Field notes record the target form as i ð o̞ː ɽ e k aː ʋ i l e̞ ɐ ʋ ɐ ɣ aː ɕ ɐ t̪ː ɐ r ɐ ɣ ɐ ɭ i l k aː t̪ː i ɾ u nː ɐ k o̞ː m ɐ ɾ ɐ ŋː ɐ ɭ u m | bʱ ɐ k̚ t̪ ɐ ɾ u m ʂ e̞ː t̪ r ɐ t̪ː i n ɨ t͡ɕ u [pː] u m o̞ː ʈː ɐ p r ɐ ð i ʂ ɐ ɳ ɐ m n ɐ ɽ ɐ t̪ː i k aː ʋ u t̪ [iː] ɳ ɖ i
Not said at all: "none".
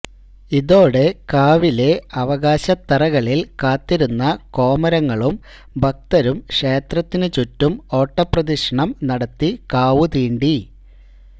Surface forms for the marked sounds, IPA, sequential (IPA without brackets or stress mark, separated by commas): tː, iː